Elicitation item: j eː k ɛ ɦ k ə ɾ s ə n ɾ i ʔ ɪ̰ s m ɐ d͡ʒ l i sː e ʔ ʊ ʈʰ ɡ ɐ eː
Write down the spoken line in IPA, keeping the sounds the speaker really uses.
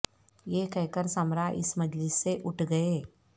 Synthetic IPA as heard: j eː k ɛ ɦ k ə ɾ s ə m ɾ a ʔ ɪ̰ s m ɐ d͡ʒ l ɪ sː e ʔ ʊ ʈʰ ɡ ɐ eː